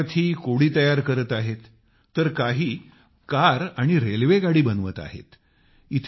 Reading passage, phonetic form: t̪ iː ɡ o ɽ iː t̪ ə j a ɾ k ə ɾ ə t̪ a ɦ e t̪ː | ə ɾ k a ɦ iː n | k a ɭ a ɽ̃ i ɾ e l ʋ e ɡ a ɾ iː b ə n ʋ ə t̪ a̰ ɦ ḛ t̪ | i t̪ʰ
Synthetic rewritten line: t̪ʰ iː k o ɽ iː t̪ ə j a ɾ k ə ɾ ə t̪ a ɦ e t̪ː | ə ɾ k a ɦ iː | k a ɾ a ɽ̃ i ɾ e l ʋ e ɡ a ɽ iː b ə n ʋ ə t̪ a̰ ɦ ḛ t̪ | i t̪ʰ

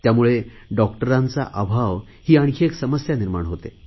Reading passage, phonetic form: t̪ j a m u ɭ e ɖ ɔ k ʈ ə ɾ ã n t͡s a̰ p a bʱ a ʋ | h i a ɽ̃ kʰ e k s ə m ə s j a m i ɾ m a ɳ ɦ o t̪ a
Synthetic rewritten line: t̪ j a m u ɭ e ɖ ɔ k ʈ ə ɾ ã n t͡s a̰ ʔ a bʱ a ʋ | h iː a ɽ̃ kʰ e k s ə m ə s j a n i ɾ m a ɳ ɦ o t̪ e

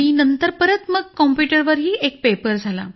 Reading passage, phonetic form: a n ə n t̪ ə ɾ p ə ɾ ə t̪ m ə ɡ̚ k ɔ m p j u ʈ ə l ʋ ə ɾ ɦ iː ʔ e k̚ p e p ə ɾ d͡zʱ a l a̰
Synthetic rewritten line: i n ə n t̪ ə ɾ p ə ɾ ə t̪ m ə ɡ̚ k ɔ m p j u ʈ ə ɾ ʋ ə ɾ ɦ iː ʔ e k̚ p e p ə ɾ d͡zʱ a l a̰

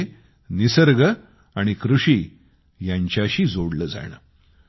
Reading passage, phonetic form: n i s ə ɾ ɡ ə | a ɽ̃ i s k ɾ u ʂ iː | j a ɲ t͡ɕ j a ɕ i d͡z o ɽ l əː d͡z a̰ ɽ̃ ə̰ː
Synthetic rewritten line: n i s ə ɾ ɡ ə | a ɽ̃ i k ɾ u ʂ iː | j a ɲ t͡ɕ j a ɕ iː d͡z o ɽ l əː d͡z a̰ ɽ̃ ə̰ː

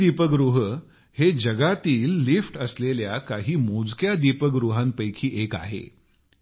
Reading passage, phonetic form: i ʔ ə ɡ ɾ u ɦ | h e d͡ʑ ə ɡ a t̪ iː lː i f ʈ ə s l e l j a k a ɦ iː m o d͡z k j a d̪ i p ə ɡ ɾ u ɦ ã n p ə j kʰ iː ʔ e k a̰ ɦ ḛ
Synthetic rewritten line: i p ə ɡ ɾ u ɦ | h e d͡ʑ ə ɡ a t̪ iː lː i f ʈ ə s l e l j a k a ɦ iː m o d͡z k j a d̪ i p ə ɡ ɾ u ɦ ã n p ə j kʰ iː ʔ e k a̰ ɦ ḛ

